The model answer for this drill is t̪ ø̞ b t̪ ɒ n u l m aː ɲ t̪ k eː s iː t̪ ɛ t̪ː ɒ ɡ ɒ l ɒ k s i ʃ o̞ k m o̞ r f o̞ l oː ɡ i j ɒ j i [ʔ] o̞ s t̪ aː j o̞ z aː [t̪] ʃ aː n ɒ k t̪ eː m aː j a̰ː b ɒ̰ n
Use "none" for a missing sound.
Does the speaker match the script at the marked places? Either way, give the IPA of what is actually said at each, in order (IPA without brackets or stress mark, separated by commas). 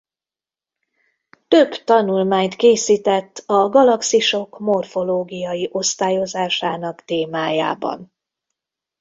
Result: ʔ, none